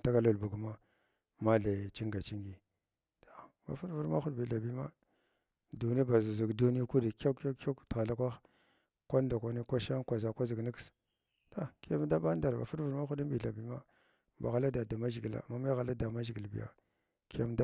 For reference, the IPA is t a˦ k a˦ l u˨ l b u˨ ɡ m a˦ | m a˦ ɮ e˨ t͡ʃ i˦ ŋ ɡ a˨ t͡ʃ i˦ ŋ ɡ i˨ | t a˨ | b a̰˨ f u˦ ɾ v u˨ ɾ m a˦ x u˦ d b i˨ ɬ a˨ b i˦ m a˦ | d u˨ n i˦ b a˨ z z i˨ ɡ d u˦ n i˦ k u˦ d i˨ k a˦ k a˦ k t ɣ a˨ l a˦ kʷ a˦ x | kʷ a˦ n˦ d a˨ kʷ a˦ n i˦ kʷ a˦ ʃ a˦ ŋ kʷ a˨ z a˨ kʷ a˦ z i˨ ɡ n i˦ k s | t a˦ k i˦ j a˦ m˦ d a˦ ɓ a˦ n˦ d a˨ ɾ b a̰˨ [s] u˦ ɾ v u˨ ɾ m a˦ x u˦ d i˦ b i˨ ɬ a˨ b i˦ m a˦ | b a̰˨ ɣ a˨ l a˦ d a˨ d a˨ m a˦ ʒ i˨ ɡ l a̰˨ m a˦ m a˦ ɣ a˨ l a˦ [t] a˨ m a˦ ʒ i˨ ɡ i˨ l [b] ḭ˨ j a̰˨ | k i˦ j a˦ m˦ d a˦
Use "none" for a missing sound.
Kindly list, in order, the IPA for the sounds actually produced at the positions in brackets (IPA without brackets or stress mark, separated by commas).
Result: f, d, b